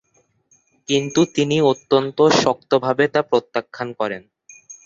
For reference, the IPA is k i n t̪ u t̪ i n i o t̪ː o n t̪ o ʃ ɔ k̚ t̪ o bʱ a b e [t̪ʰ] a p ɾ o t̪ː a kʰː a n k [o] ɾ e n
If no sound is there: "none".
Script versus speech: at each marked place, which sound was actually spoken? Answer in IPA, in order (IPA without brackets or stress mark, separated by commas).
t̪, ɔ